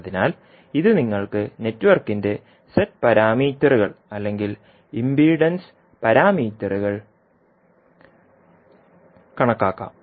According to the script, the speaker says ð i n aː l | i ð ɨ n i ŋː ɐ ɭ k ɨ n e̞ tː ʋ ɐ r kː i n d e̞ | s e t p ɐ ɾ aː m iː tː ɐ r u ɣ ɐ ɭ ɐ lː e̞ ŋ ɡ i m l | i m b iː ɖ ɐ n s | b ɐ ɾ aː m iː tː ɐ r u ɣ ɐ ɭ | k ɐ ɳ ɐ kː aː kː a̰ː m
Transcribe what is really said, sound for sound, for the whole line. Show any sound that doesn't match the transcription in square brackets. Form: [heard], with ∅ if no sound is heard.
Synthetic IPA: ð i n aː l | i ð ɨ n i ŋː ɐ ɭ k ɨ n e̞ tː ʋ ɐ r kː i n d e̞ | s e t p ɐ ɾ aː m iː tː ɐ r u ɣ ɐ ɭ ɐ lː e̞ ŋ ɡ i [∅] l | i m b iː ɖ ɐ n s | [p] ɐ ɾ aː m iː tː ɐ r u ɣ ɐ ɭ | k ɐ ɳ ɐ kː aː kː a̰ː m